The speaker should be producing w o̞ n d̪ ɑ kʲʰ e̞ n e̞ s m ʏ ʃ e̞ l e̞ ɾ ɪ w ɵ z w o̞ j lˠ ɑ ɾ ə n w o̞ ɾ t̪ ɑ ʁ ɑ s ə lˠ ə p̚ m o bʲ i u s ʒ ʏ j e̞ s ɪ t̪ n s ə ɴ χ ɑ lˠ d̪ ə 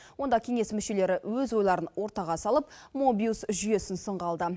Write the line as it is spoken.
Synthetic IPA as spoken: w o̞ n d̪ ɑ kʲʰ e̞ ŋ e̞ s m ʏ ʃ e̞ l e̞ ɾ ɪ w ɵ z w o̞ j lˠ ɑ ɾ ə n w o̞ ɾ t̪ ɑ ʁ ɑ s ɑ lˠ ə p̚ m o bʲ i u s ʒ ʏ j e̞ s ɪ n s ə ɴ ʁ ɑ lˠ d̪ ə